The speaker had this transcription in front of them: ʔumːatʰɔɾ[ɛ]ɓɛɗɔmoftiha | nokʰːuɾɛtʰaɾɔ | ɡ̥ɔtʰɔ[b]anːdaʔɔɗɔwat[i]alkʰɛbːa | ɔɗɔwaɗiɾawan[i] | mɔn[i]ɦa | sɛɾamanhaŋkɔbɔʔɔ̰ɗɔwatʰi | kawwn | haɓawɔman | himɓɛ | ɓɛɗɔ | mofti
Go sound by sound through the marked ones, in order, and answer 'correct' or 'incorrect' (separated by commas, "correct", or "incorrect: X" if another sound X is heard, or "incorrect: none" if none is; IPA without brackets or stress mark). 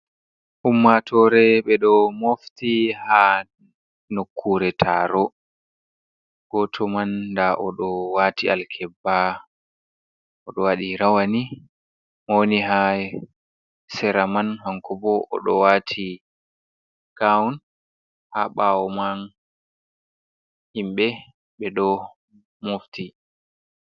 correct, incorrect: m, correct, correct, correct